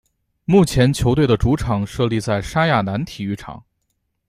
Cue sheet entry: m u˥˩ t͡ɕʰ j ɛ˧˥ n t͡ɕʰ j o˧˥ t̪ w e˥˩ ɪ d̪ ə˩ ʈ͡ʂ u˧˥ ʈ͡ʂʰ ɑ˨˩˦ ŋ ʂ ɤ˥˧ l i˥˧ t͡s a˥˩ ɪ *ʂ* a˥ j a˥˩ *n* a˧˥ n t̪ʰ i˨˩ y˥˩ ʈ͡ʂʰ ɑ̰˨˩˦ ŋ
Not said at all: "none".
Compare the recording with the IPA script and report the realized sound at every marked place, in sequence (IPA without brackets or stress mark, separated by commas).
ʂ, n